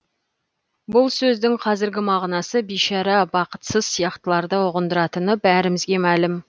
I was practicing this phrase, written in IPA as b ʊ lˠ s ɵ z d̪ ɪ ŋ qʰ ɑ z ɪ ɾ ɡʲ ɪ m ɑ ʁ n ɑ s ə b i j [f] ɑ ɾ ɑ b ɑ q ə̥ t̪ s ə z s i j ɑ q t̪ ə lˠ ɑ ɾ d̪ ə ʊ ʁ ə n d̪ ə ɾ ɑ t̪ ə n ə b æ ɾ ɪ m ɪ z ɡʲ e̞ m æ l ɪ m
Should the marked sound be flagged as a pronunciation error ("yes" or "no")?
yes